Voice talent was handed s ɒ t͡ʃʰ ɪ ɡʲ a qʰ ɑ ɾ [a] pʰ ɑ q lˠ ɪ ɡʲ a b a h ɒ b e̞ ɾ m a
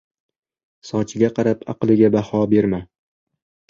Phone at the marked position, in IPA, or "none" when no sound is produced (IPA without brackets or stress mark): a